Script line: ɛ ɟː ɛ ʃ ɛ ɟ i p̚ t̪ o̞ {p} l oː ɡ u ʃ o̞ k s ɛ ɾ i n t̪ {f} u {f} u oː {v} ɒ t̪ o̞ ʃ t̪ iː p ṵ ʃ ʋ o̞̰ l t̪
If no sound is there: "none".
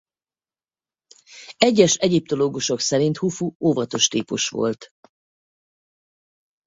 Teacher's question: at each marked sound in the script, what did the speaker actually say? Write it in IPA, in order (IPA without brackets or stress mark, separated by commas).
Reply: none, h, f, v